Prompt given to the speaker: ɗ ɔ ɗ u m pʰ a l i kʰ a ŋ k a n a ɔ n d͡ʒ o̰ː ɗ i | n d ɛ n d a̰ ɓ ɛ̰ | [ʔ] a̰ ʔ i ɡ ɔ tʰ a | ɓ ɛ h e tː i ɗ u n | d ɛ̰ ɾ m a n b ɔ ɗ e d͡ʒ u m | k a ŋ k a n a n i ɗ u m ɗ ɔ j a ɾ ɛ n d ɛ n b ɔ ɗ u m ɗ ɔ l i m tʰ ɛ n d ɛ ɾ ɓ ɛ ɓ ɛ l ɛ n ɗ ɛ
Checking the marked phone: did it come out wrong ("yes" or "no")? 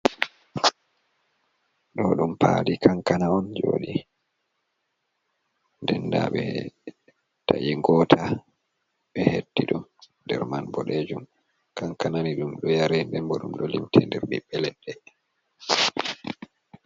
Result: yes